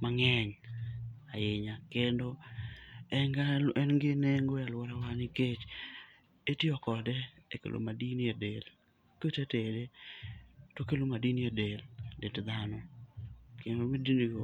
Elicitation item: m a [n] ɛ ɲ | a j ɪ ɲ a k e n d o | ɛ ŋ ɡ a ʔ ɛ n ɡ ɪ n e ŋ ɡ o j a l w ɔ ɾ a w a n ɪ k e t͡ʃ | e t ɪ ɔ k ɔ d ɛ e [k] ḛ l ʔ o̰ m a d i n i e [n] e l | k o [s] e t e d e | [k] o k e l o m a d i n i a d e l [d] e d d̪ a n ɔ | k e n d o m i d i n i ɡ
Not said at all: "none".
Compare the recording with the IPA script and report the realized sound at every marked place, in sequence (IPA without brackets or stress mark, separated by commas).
ŋ, k, d, t, t, d